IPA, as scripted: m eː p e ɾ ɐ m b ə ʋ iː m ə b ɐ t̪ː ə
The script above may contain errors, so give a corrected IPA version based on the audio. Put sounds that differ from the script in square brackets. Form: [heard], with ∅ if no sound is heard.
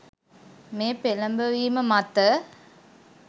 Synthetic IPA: m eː p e [l] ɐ m b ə ʋ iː m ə [m] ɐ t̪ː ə